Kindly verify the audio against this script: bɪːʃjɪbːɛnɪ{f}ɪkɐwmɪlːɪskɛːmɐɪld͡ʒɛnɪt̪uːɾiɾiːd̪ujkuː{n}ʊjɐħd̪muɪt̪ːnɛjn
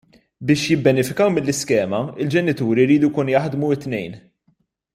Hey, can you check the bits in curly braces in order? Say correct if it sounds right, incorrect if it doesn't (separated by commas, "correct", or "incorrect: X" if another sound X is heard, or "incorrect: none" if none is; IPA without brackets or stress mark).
correct, correct